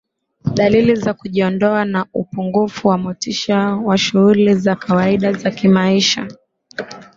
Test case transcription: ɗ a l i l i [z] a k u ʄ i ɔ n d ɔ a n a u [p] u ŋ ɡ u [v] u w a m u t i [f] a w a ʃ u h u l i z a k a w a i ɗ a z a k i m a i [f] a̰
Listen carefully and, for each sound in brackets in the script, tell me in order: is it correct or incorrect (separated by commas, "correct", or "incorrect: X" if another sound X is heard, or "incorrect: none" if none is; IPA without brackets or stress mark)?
correct, correct, incorrect: f, incorrect: ʃ, incorrect: ʃ